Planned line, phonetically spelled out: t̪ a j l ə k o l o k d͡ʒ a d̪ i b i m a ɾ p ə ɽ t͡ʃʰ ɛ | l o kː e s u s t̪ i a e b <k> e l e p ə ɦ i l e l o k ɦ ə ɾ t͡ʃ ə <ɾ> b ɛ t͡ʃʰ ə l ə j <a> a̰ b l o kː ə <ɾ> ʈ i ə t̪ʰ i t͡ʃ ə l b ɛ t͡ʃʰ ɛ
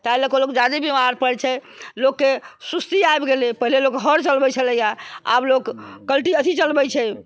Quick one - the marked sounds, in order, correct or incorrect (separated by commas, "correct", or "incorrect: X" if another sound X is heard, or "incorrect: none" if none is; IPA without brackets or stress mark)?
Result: incorrect: ɡ, incorrect: l, correct, incorrect: l